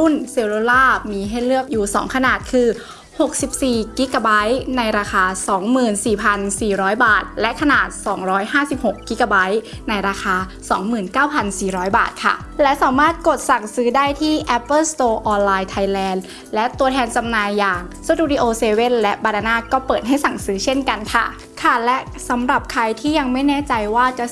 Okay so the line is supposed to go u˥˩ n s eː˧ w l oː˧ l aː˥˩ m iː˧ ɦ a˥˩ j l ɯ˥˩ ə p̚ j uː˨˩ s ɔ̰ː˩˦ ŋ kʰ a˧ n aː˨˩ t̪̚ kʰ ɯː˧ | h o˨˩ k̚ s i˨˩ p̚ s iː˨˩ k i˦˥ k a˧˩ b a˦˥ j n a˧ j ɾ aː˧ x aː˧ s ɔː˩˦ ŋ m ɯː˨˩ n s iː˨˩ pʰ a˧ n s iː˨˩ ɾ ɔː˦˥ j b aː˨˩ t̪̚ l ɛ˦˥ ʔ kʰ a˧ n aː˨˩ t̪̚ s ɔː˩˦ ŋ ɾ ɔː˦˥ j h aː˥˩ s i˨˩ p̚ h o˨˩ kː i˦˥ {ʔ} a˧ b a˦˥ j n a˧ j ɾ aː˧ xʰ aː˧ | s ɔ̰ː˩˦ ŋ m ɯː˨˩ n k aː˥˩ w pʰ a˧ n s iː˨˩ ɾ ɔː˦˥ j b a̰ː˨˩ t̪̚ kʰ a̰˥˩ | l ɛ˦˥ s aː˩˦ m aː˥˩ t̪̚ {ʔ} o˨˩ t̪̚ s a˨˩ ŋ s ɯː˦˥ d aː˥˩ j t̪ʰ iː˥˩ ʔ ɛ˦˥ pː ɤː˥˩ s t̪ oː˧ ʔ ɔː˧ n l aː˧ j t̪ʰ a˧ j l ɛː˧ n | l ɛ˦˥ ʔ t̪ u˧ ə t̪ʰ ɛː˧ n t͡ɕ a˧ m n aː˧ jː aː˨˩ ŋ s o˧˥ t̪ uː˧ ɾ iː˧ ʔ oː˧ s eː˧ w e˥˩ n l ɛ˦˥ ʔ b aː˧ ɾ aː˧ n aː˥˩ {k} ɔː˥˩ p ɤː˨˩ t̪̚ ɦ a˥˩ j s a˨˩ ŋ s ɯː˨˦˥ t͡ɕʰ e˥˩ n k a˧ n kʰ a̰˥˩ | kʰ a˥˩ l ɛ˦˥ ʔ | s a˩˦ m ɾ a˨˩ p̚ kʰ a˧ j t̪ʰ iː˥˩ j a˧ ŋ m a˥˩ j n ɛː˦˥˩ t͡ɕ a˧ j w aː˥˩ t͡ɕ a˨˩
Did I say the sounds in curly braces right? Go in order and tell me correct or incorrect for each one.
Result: incorrect: k, incorrect: k, correct

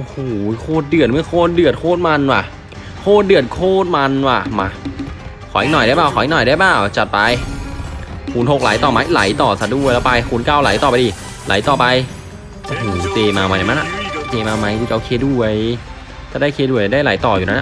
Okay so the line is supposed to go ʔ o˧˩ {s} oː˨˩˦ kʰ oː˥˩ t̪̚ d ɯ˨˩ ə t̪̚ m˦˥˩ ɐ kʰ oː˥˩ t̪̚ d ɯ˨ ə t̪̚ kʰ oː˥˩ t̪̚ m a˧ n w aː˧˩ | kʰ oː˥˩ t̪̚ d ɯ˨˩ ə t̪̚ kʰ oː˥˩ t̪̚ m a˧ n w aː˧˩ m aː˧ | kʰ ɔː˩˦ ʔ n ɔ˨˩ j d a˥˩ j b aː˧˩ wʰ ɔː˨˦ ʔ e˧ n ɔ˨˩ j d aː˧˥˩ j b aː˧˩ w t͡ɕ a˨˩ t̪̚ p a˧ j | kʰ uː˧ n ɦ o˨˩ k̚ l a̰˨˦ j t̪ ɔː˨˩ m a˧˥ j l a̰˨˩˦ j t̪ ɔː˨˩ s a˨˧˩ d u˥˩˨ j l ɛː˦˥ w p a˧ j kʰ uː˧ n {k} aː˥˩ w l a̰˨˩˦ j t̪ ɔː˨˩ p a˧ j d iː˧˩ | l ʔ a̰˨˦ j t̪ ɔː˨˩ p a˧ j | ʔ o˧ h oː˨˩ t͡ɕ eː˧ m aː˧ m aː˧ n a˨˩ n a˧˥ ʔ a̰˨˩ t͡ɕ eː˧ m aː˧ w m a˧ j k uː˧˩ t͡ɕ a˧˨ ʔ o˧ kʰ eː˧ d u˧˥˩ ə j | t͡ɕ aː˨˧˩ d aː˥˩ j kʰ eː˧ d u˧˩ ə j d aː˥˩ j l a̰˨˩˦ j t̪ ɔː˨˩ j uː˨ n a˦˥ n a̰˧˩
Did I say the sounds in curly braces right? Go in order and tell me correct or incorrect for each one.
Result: incorrect: h, correct

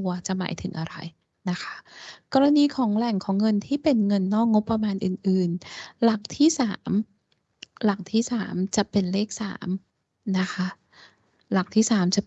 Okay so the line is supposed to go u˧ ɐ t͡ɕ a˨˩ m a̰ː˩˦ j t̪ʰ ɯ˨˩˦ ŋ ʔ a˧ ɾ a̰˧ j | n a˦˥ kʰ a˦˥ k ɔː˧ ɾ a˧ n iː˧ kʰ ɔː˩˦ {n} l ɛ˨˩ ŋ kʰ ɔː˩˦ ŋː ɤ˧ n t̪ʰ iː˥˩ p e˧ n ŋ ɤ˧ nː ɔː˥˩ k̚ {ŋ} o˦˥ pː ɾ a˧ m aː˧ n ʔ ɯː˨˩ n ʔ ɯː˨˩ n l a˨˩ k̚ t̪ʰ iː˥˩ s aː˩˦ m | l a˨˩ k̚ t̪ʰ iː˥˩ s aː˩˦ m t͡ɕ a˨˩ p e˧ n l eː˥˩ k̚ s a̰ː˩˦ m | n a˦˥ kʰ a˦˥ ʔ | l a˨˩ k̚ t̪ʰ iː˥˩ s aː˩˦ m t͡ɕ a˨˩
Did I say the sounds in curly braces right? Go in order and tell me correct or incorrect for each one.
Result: incorrect: ŋ, correct

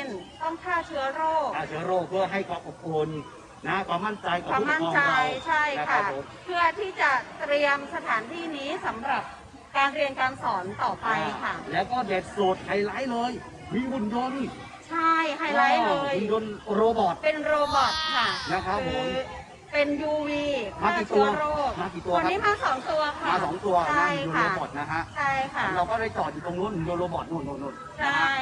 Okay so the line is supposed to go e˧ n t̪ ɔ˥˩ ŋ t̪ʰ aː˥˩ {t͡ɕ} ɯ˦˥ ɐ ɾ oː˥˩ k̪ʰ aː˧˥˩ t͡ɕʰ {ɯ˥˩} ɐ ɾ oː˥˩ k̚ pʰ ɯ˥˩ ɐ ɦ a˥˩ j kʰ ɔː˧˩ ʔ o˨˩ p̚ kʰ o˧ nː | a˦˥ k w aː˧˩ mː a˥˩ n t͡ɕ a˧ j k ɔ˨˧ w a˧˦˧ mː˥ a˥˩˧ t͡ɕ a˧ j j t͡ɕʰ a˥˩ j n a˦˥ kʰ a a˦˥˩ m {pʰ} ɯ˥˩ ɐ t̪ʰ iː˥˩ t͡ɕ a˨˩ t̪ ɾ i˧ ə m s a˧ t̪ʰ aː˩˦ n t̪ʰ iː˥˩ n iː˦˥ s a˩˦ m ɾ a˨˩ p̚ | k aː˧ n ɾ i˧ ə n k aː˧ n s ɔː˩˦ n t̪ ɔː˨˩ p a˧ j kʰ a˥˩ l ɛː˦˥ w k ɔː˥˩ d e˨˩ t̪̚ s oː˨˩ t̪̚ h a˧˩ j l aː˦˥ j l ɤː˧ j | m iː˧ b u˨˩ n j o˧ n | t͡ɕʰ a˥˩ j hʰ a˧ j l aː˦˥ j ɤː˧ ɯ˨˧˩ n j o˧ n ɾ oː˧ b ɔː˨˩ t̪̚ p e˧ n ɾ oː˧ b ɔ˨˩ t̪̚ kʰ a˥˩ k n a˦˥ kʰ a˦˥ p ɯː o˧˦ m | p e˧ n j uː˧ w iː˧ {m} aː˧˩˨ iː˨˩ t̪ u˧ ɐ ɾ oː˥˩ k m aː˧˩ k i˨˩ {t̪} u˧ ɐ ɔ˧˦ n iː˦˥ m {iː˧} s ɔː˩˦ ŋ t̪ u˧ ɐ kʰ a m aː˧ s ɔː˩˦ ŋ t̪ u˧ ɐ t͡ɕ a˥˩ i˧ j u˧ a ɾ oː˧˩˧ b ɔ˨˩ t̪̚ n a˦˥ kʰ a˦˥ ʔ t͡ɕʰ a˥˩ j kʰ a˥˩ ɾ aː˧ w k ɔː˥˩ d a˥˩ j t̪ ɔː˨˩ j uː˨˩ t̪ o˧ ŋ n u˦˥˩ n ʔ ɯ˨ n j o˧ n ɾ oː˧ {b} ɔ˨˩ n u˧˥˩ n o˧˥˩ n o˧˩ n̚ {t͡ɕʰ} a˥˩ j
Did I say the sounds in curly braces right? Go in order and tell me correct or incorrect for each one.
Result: incorrect: t͡ɕʰ, incorrect: ɯ˦˥, correct, correct, correct, incorrect: aː˧, correct, correct

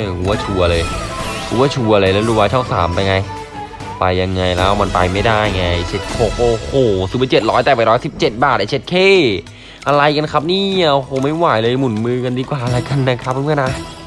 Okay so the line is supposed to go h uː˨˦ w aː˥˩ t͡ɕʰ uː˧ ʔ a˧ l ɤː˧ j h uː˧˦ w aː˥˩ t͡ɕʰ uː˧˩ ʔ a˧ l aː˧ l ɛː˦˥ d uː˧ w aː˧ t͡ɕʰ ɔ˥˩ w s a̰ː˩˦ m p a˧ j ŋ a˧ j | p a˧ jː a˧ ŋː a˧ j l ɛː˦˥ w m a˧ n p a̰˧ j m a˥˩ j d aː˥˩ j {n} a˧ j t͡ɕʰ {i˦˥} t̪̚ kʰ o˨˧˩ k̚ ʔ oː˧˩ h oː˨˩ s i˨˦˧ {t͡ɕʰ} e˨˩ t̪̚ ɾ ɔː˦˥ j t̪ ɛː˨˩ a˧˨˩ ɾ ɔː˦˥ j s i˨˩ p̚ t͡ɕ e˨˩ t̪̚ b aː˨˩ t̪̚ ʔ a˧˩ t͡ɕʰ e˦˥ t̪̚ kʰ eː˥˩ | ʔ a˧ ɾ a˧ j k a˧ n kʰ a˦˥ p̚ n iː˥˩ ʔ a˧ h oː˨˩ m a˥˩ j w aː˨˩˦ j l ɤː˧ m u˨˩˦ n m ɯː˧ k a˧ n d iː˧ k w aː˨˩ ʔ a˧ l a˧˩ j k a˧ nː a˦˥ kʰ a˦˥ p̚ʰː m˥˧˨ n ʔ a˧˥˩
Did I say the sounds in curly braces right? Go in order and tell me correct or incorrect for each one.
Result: incorrect: ŋ, incorrect: e˦˥, incorrect: t͡ɕ

